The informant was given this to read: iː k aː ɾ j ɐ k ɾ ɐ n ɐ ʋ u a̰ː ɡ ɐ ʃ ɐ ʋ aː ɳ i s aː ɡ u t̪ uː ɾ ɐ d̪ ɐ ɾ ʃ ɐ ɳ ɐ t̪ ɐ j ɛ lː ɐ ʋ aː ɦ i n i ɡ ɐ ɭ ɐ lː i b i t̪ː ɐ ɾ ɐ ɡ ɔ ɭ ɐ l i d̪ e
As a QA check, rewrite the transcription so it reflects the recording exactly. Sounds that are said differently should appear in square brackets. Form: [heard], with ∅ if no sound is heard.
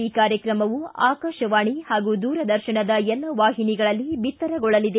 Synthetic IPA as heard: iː k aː ɾ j ɐ k ɾ ɐ [m] ɐ ʋ u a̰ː [k] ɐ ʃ ɐ ʋ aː ɳ i [h] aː ɡ u [d̪] uː ɾ ɐ d̪ ɐ ɾ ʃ ɐ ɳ ɐ [d̪] ɐ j ɛ lː ɐ ʋ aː ɦ i n i ɡ ɐ ɭ ɐ lː i b i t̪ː ɐ ɾ ɐ ɡ ɔ ɭ ɐ l i d̪ e

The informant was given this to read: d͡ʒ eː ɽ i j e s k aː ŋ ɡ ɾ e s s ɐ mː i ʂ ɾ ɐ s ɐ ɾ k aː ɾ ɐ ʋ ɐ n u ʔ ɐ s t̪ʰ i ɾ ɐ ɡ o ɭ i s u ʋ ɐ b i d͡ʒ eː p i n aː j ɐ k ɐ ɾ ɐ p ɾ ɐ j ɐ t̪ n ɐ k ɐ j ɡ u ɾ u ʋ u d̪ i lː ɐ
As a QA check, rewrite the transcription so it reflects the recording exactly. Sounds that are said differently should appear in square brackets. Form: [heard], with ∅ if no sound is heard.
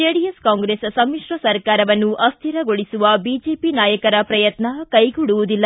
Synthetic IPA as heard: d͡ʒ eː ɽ i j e s k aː ŋ ɡ ɾ e s s ɐ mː i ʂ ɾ ɐ s ɐ ɾ k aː ɾ ɐ ʋ ɐ [nː] u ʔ ɐ s t̪ʰ i ɾ ɐ ɡ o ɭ i s u ʋ ɐ b i d͡ʒ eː p i n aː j ɐ k ɐ ɾ ɐ p ɾ ɐ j ɐ t̪ n ɐ k ɐ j ɡ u [ɽ] u ʋ u d̪ i lː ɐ

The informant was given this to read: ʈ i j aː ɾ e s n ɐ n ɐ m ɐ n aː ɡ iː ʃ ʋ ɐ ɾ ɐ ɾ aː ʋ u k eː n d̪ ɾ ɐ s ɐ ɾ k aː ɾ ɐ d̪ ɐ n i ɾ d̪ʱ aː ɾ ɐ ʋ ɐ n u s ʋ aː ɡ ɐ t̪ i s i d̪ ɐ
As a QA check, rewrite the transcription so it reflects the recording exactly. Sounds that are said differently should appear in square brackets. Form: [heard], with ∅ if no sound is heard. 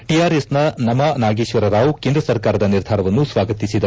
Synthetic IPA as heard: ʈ i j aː ɾ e s n ɐ n ɐ m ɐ n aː ɡ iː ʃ ʋ ɐ ɾ ɐ ɾ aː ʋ u k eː n d̪ ɾ ɐ s ɐ ɾ k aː ɾ ɐ d̪ ɐ n i ɾ d̪ʱ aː ɾ ɐ ʋ ɐ [nː] u s ʋ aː ɡ ɐ t̪ i s i d̪ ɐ

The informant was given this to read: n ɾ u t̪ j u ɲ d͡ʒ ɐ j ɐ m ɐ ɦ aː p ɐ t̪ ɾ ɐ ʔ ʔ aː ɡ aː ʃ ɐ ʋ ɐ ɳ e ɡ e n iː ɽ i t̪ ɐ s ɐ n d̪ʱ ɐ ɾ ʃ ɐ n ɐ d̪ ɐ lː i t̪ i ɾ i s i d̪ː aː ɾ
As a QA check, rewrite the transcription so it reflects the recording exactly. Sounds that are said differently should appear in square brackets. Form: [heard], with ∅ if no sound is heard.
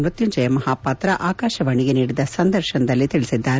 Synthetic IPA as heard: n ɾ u t̪ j u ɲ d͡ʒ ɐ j ɐ m ɐ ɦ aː p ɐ t̪ ɾ ɐ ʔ ʔ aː [k] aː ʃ ɐ ʋ ɐ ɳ [i] ɡ e n iː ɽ i [d̪] ɐ s ɐ n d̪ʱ ɐ ɾ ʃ ɐ n ɐ d̪ ɐ lː i t̪ i [ɭ] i s i d̪ː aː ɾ

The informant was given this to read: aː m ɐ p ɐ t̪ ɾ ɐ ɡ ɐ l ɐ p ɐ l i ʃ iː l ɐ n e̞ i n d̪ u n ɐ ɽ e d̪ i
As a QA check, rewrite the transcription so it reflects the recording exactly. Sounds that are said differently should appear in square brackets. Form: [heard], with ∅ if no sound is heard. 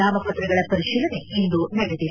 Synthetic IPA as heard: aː m ɐ p ɐ t̪ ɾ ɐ ɡ ɐ [ɭ] ɐ p ɐ [ɾ] i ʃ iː l ɐ n e̞ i n d̪ u n ɐ ɽ e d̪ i

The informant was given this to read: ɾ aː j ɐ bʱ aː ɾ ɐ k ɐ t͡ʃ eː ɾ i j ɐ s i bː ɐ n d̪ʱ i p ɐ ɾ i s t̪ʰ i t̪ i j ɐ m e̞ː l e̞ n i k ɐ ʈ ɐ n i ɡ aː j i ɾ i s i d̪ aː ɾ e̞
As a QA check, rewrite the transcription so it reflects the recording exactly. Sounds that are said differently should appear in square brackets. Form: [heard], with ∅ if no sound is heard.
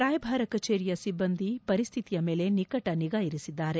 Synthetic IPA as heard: ɾ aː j ɐ bʱ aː ɾ ɐ k ɐ t͡ʃ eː ɾ i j ɐ s i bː ɐ n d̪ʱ i p ɐ ɾ i s t̪ʰ i t̪ i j ɐ m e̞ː l e̞ n i k ɐ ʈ ɐ n i ɡ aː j i ɾ i s i [d̪ː] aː ɾ e̞

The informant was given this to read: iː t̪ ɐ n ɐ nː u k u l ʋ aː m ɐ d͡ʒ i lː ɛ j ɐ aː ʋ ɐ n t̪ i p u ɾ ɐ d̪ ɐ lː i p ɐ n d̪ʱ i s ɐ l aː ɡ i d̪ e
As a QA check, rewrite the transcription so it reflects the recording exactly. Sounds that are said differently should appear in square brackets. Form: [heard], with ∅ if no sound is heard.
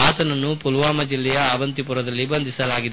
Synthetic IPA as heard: [aː] t̪ ɐ n ɐ nː u [p] u l ʋ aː m ɐ d͡ʒ i lː ɛ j ɐ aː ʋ ɐ n t̪ i p u ɾ ɐ d̪ ɐ lː i [b] ɐ n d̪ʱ i s ɐ l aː ɡ i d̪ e

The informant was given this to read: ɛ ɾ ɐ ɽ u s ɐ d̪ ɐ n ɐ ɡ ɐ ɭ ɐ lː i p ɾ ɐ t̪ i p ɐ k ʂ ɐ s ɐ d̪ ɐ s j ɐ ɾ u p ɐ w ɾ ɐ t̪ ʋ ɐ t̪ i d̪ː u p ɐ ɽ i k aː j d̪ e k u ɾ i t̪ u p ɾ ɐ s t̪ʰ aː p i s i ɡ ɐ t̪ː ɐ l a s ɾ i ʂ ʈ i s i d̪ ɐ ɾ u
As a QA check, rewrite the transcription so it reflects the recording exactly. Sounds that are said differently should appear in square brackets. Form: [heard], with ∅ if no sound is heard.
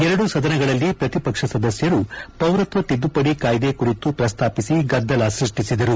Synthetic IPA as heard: ɛ ɾ ɐ ɽ u s ɐ d̪ ɐ n ɐ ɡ ɐ ɭ ɐ lː i p ɾ ɐ t̪ i p ɐ k ʂ ɐ s ɐ d̪ ɐ s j ɐ ɾ u p ɐ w ɾ ɐ t̪ ʋ ɐ t̪ i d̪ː u p ɐ ɽ i k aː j d̪ e k u ɾ i t̪ u p ɾ ɐ s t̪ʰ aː p i s i ɡ ɐ [d̪ː] ɐ l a s ɾ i ʂ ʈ i s i d̪ ɐ ɾ u

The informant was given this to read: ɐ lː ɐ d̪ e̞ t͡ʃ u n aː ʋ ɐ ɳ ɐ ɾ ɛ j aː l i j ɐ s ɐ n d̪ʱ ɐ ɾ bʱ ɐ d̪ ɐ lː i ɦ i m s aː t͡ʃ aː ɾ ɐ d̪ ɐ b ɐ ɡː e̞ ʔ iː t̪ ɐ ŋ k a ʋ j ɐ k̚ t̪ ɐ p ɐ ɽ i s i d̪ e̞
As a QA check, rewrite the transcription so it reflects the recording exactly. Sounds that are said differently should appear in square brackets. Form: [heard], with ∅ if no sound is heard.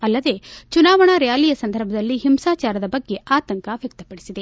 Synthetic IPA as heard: ɐ lː ɐ d̪ e̞ t͡ʃ u n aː ʋ ɐ ɳ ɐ ɾ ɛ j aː l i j ɐ s ɐ n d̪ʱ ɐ ɾ bʱ ɐ d̪ ɐ lː i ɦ i m s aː t͡ʃ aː ɾ ɐ d̪ ɐ b ɐ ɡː e̞ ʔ [aː] t̪ ɐ ŋ k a ʋ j ɐ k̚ t̪ ɐ p ɐ ɽ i s i d̪ e̞

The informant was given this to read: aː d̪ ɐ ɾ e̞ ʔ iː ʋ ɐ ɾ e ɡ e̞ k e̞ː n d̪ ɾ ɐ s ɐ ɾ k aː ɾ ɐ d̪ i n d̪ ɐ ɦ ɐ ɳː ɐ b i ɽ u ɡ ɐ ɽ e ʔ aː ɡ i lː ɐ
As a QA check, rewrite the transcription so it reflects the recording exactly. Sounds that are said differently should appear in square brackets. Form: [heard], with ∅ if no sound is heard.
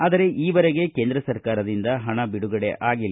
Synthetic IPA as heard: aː d̪ ɐ ɾ e̞ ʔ iː ʋ ɐ ɾ e ɡ e̞ k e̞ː n d̪ ɾ ɐ s ɐ ɾ k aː ɾ ɐ d̪ i n d̪ ɐ ɦ ɐ [ɳ] ɐ b i ɽ u ɡ ɐ ɽ e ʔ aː ɡ i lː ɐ

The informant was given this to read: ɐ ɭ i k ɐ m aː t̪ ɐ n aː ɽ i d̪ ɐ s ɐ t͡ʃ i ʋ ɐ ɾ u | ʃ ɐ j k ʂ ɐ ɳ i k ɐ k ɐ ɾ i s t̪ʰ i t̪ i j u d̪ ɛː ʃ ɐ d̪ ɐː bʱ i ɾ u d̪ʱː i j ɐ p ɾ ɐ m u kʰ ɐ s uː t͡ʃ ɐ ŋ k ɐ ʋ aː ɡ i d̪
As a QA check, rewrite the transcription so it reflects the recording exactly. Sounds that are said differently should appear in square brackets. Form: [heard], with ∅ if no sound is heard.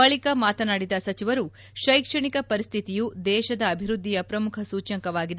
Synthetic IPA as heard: ɐ ɭ i k ɐ m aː t̪ ɐ n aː ɽ i d̪ ɐ s ɐ t͡ʃ i ʋ ɐ ɾ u | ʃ ɐ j k ʂ ɐ ɳ i k ɐ [p] ɐ ɾ i s t̪ʰ i t̪ i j u d̪ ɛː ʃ ɐ d̪ ɐː bʱ i ɾ u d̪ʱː i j ɐ p ɾ ɐ m u kʰ ɐ s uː t͡ʃ ɐ ŋ k ɐ ʋ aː ɡ i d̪

